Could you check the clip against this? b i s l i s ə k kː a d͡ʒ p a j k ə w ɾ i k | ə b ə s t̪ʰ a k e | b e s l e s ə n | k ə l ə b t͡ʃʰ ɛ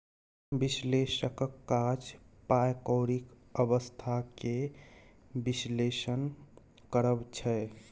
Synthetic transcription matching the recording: b i s l e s ə k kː a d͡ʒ p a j k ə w ɾ i k | ə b ə s t̪ʰ a k e | b i s l e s ə n | k ə ɾ ə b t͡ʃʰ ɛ